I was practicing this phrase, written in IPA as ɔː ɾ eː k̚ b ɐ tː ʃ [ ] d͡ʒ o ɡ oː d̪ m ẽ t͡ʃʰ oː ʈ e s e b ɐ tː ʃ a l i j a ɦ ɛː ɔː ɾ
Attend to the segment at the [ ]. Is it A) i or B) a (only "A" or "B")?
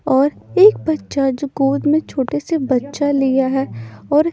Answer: B